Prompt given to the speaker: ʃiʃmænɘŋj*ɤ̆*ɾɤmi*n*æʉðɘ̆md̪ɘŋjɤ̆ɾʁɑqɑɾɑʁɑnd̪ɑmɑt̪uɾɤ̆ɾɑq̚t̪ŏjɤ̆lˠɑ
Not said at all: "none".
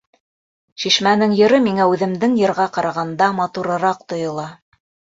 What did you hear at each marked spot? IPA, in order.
ɤ̆, ŋ

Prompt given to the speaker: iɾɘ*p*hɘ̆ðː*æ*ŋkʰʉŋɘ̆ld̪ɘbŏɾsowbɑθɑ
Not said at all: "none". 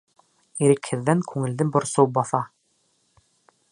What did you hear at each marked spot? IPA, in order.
k, æ

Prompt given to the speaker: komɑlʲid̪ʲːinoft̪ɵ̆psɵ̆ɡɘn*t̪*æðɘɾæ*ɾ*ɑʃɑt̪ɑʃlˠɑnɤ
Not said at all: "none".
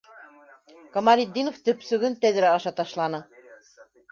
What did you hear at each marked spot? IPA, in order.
t̪, none

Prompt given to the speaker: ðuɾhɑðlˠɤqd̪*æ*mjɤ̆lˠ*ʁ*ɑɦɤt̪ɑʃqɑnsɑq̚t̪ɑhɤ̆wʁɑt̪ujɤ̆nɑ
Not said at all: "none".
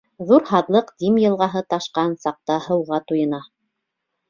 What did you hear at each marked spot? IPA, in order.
i, ʁ

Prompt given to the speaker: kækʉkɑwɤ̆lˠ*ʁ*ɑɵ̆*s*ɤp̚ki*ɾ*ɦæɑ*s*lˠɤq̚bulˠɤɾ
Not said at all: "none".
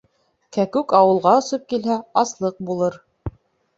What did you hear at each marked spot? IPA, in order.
ʁ, s, l, s

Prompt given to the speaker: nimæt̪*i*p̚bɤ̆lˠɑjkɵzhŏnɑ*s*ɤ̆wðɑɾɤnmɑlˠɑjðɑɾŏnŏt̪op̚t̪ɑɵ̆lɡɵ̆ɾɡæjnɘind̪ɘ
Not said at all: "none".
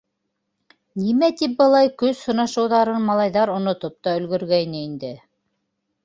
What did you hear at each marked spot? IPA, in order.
i, ʃ

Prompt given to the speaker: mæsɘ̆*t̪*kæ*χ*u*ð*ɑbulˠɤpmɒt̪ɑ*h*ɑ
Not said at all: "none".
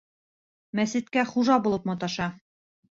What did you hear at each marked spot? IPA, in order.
t̪, χ, ʒ, ʃ

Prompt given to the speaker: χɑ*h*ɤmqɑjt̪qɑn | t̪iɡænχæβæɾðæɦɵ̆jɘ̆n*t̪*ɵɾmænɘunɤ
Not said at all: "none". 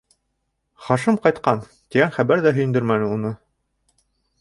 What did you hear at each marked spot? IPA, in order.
ʃ, d̪

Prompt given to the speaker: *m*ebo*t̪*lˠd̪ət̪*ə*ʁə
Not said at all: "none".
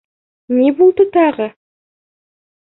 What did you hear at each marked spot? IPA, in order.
n, none, ɑ

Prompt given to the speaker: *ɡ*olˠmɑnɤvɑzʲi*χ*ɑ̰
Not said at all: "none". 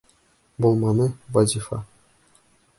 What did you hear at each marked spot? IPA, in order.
b, f

